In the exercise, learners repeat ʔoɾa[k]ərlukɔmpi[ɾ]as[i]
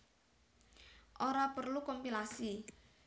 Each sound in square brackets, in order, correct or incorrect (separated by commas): incorrect, incorrect, correct